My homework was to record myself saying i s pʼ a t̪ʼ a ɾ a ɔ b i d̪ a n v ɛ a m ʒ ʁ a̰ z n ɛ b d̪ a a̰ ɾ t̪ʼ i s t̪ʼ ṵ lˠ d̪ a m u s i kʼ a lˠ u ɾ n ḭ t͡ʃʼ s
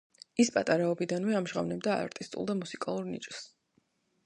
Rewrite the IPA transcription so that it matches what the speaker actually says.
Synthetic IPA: i s pʼ a t̪ʼ a ɾ a ɔ b i d̪ a n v ɛ a m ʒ ʁ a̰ v n ɛ b d̪ a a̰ ɾ t̪ʼ i s t̪ʼ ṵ lˠ d̪ a m u s i kʼ a lˠ u ɾ n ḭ t͡ʃʼ s